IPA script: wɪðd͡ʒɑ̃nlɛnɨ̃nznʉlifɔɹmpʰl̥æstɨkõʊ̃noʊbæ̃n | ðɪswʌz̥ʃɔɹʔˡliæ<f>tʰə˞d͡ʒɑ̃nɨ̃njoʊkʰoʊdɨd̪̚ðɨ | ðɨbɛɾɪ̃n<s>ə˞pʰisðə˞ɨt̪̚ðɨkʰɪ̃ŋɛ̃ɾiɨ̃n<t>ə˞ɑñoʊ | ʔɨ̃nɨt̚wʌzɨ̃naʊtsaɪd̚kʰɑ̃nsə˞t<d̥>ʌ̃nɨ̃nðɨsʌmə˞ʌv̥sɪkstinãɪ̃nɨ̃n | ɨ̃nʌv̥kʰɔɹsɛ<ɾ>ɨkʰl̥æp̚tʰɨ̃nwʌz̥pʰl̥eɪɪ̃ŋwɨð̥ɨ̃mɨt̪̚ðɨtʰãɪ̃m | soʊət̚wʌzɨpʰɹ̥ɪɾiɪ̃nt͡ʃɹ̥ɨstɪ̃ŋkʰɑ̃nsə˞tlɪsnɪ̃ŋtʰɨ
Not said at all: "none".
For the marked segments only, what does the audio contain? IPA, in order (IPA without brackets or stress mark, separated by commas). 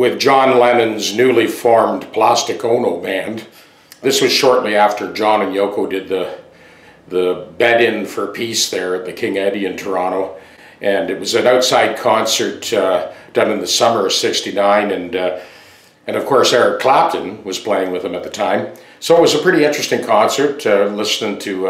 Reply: f, f, tʰ, d̥, ɹ